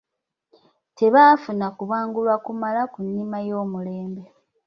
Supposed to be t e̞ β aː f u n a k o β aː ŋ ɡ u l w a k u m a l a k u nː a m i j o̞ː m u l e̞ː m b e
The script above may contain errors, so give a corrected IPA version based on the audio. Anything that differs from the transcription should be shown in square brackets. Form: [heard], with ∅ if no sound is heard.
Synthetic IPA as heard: t e̞ β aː f u n a k [u] β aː ŋ ɡ u l w a k u m a l a k u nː [i] m [a] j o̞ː m u l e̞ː m b e